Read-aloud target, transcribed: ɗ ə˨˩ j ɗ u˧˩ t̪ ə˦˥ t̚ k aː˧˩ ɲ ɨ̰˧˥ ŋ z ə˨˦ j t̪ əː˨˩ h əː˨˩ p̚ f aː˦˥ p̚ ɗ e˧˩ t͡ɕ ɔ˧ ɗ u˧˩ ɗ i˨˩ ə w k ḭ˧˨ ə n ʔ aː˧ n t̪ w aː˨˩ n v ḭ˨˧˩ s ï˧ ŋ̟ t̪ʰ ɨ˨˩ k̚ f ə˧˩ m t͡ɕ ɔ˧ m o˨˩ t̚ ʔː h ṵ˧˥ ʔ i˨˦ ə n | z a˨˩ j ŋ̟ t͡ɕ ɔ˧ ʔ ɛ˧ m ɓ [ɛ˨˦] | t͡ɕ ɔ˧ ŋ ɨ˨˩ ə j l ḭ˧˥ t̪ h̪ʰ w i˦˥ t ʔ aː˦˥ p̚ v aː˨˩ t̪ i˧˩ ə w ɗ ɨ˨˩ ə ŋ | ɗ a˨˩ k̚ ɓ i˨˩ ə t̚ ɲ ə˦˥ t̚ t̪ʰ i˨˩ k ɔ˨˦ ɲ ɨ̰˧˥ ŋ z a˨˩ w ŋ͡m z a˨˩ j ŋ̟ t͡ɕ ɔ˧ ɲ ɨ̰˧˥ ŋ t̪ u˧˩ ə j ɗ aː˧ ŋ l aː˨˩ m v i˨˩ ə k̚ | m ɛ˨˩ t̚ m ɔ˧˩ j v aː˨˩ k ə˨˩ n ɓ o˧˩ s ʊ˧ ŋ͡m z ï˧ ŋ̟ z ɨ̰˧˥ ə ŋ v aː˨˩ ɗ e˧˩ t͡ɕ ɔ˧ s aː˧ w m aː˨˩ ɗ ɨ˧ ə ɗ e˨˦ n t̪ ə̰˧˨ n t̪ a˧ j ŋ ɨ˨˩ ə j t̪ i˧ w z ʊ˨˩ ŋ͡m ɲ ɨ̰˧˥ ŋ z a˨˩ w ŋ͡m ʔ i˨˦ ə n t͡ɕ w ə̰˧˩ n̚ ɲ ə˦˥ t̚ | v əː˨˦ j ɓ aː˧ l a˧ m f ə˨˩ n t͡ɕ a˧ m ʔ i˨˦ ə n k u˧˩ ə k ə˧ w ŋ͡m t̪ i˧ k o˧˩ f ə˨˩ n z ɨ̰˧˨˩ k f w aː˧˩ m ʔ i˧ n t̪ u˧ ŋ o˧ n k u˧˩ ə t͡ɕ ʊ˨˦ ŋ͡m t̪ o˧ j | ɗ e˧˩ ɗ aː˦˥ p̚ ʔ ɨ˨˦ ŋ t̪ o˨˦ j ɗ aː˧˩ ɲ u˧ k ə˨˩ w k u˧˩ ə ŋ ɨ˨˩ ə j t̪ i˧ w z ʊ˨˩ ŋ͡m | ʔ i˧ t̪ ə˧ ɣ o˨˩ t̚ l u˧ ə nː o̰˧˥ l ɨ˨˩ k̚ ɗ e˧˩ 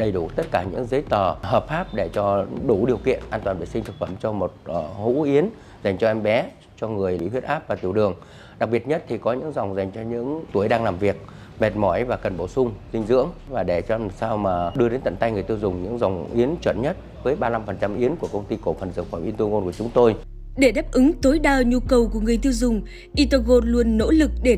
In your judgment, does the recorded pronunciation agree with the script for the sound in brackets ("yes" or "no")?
yes